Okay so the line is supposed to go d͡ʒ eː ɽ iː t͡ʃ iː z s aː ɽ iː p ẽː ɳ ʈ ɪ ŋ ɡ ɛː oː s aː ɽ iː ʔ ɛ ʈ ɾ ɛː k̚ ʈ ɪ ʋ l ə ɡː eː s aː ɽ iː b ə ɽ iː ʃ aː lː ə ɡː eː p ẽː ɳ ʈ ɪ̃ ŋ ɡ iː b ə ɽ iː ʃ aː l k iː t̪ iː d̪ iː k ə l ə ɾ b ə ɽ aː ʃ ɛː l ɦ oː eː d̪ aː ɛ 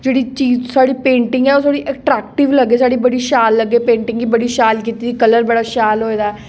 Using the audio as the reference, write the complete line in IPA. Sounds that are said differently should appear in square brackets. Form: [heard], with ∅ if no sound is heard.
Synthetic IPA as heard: d͡ʒ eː ɽ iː t͡ʃ iː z s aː ɽ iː p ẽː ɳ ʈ ɪ ŋ ɡ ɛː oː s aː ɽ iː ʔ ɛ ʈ ɾ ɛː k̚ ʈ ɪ ʋ l ə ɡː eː s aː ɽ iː b ə ɽ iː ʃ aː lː ə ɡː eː p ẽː ɳ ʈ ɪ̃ ŋ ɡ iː b ə ɽ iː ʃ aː l k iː t̪ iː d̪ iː k ə l ə ɾ b ə ɽ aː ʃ [aː] l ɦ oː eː d̪ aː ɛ